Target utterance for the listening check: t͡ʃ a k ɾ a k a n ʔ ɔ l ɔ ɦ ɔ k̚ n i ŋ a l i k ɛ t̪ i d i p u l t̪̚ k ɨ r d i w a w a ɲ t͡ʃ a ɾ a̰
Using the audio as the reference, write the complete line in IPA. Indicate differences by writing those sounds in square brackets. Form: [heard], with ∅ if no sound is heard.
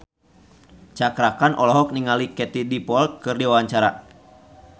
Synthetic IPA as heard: t͡ʃ a k ɾ a k a n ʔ ɔ l ɔ ɦ ɔ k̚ n i ŋ a l i k ɛ t̪ i d i p [ɔ] l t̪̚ k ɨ r d i w a w a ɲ t͡ʃ a ɾ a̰